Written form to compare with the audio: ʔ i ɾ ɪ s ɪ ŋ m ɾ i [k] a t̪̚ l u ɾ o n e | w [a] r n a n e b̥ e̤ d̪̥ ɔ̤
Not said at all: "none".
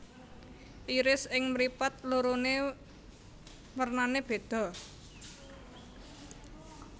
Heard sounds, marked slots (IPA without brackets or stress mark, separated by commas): p, ə